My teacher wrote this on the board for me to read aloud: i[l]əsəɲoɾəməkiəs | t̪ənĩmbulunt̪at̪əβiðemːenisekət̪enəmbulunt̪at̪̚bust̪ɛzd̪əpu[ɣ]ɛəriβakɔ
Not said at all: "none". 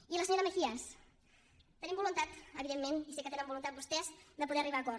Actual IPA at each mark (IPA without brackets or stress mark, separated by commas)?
l, ð